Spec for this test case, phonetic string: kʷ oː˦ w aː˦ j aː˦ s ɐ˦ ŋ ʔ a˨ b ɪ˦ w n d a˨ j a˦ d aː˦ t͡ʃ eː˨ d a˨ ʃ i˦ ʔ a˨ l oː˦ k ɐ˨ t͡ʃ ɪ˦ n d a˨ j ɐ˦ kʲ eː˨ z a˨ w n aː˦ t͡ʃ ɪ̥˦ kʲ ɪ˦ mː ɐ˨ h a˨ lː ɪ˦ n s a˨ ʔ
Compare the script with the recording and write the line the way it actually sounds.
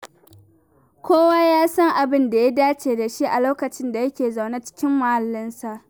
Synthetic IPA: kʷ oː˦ w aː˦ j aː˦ s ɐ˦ ŋ ʔ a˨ b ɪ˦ n d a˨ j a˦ d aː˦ t͡ʃ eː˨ d a˨ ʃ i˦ ʔ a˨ l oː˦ k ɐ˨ t͡ʃ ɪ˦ n d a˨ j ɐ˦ kʲ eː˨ z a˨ w n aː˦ t͡ʃ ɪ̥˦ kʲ ɪ˦ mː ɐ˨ h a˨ lː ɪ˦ n s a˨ ʔ